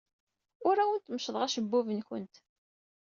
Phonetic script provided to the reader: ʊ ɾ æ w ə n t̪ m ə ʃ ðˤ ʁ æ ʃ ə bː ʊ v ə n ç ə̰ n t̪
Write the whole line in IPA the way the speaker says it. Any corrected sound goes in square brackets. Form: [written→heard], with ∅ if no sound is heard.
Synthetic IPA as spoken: ʊ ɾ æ w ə n t̪ m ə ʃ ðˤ ʁ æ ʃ ə bː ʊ v ə n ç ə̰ n t̪